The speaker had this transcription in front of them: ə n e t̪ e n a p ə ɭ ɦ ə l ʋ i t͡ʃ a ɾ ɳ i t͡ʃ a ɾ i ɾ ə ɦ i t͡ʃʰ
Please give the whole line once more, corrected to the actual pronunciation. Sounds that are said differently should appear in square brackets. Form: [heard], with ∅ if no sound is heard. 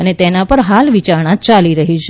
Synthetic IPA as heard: ə n e t̪ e n a p ə [ɾ] ɦ [a] l ʋ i t͡ʃ a ɾ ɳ [a] t͡ʃ a [l] i ɾ ə ɦ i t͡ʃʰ